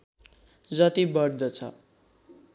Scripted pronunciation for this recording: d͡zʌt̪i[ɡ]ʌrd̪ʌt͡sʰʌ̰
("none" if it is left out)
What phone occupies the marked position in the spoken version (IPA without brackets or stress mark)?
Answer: b